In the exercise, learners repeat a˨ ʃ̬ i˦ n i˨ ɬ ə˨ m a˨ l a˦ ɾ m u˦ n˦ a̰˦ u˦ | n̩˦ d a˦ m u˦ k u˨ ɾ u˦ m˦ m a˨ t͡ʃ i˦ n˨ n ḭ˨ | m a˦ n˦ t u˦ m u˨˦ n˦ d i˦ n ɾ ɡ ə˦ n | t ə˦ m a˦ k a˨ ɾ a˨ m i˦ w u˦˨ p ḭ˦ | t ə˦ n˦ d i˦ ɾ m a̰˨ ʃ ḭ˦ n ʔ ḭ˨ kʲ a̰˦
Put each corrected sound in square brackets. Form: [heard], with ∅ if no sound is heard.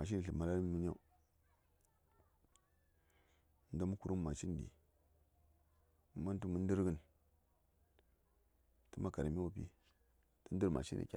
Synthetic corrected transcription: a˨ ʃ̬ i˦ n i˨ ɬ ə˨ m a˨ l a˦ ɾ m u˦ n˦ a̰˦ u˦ | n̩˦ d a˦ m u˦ k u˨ ɾ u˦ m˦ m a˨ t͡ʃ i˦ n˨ [d] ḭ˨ | m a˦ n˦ t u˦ m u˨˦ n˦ d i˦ [∅] ɾ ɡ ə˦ n | t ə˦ m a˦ k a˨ ɾ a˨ m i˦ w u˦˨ p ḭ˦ | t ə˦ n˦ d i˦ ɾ m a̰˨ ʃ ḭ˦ n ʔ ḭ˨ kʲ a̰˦

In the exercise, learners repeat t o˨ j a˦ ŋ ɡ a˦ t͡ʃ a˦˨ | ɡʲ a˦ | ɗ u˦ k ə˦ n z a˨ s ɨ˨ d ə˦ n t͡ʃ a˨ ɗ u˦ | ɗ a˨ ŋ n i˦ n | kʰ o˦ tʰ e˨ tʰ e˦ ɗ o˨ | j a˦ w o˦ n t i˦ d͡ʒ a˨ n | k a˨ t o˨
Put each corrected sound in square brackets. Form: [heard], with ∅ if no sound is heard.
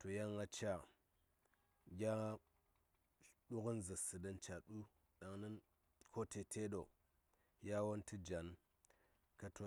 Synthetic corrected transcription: t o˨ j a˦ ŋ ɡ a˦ t͡ʃ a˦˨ | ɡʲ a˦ | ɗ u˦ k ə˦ n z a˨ s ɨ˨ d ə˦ n t͡ʃ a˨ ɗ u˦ | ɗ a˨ ŋ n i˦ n | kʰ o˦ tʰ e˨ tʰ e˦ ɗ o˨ | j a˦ w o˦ n t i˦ d͡ʒ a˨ n | k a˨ t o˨

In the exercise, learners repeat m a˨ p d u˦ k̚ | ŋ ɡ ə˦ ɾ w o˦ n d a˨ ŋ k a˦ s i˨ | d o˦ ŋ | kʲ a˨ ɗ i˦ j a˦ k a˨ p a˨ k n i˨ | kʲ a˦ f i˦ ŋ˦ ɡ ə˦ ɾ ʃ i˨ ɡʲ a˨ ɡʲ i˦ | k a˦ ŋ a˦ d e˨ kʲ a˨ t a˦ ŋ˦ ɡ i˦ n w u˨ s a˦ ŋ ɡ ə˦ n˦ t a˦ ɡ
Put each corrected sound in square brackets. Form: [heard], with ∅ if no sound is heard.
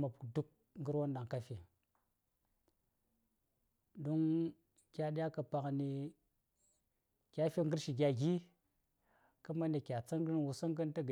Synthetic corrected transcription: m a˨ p d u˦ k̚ | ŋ ɡ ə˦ ɾ w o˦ n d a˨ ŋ k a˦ [f] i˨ | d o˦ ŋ | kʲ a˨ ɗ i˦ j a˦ k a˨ p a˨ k n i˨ | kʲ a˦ f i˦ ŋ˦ ɡ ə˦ ɾ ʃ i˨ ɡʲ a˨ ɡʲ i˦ | k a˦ [m] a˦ [n] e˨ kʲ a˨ [t͡s] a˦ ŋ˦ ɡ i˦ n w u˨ s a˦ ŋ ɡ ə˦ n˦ t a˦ ɡ

